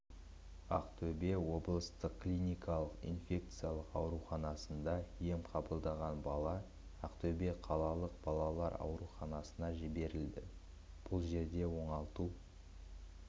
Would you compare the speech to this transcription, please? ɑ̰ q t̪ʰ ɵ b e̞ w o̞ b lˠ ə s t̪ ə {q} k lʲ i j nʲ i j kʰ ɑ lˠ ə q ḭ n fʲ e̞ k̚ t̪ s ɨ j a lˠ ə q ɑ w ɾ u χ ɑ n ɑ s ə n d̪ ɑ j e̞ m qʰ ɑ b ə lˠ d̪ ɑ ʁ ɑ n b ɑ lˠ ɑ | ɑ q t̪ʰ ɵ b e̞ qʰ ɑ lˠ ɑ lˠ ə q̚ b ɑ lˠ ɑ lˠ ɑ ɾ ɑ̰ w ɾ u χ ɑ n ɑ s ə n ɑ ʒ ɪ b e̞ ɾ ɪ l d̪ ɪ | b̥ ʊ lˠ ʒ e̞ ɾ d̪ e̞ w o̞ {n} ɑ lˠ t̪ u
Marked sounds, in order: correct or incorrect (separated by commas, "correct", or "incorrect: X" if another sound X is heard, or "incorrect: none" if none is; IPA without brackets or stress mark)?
correct, incorrect: ɴ